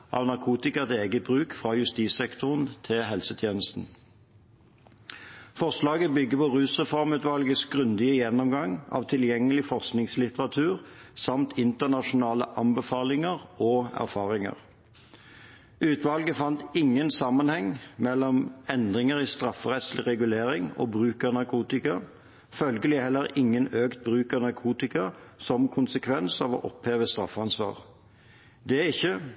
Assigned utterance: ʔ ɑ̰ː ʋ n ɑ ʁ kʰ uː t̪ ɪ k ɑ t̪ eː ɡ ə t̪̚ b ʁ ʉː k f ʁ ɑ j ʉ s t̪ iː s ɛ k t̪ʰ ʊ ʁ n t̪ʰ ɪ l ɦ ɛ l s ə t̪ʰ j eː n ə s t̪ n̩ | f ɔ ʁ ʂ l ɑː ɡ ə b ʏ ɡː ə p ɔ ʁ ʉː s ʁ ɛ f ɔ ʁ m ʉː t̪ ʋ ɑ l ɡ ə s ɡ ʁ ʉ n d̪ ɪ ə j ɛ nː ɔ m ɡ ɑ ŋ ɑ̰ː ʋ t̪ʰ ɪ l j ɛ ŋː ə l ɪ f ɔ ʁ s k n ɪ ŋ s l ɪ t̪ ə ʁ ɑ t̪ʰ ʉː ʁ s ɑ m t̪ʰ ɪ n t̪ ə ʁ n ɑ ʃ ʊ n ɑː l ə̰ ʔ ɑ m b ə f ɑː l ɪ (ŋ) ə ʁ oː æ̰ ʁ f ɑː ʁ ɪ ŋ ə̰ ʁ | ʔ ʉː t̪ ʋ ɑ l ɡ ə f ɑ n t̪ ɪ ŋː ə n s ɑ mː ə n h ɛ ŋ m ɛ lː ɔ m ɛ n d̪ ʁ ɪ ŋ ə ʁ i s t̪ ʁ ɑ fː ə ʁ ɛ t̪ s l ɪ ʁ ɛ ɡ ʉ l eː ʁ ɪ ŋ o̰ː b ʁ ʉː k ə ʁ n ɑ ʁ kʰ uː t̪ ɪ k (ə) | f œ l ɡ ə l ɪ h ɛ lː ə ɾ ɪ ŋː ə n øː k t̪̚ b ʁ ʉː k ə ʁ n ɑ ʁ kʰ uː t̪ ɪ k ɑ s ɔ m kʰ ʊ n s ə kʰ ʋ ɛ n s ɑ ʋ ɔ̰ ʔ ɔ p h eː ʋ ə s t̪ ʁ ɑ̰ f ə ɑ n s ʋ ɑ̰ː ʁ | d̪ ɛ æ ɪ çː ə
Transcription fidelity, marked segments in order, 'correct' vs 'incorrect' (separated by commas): correct, incorrect